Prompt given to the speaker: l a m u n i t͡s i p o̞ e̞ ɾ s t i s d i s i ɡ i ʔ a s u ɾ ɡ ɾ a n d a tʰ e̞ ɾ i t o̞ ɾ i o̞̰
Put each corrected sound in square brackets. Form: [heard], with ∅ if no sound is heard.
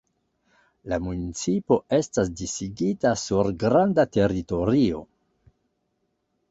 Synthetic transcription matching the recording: l a m u n i t͡s i p o̞ e̞ [∅] s t [a] s d i s i ɡ i [t] a s u ɾ ɡ ɾ a n d a [t] e̞ ɾ i t o̞ ɾ i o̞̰